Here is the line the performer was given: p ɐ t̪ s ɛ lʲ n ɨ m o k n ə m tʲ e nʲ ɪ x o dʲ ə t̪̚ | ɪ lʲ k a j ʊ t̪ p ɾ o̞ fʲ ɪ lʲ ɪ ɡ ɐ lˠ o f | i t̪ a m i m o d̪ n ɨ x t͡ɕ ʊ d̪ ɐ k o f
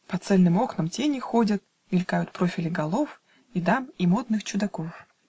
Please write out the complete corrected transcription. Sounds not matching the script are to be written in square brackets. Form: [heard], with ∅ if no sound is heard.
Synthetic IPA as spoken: p ɐ t̪ s ɛ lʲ n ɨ m o k n ə m tʲ e nʲ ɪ x o dʲ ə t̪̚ | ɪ lʲ k a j ʊ t̪ p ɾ o̞ fʲ ɪ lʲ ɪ ɡ ɐ lˠ o f | i [d̪] a m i m o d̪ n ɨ x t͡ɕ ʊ d̪ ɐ k o f